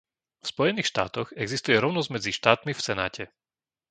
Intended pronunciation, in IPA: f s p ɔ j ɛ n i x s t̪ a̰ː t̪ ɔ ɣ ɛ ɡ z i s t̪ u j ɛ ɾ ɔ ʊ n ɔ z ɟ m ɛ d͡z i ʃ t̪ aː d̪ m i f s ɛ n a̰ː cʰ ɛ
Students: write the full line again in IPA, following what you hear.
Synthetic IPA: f s p ɔ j ɛ n iː x ʃ t̪ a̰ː t̪ ɔ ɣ ɛ ɡ z i s t̪ u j ɛ ɾ ɔ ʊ n ɔ z ɟ m ɛ d͡z i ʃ t̪ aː t̪ m i f s ɛ n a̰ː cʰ ɛ